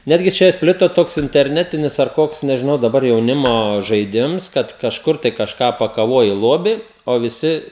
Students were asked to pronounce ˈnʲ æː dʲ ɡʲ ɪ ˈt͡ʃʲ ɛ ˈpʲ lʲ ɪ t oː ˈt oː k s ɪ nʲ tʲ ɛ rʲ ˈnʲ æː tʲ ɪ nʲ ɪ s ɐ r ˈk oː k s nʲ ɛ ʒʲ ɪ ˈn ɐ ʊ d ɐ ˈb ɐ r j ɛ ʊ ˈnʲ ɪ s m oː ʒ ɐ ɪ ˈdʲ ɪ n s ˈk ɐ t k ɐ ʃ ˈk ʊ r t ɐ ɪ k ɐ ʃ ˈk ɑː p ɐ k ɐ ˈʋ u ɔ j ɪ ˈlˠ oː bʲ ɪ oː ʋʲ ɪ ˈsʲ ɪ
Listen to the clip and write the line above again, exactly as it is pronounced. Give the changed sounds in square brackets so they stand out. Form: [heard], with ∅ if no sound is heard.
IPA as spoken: ˈnʲ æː dʲ ɡʲ ɪ ˈt͡ʃʲ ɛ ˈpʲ lʲ ɪ t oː ˈt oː k s ɪ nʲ tʲ ɛ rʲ ˈnʲ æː tʲ ɪ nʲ ɪ s ɐ r ˈk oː k s nʲ ɛ ʒʲ ɪ ˈn ɐ ʊ d ɐ ˈb ɐ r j ɛ ʊ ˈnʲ ɪ [∅] m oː ʒ ɐ ɪ ˈdʲ ɪ [m] s ˈk ɐ t k ɐ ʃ ˈk ʊ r t ɐ ɪ k ɐ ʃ ˈk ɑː p ɐ k ɐ ˈʋ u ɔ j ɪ ˈlˠ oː bʲ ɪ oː ʋʲ ɪ ˈsʲ ɪ